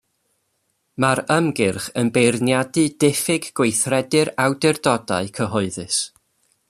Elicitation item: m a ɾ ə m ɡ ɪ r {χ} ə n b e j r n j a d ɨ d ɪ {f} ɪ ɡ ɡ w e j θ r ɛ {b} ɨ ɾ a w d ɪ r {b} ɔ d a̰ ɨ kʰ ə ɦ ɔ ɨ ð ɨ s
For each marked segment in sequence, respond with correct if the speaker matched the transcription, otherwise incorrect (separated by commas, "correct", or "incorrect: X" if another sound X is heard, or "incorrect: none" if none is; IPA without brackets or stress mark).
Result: correct, correct, incorrect: d, incorrect: d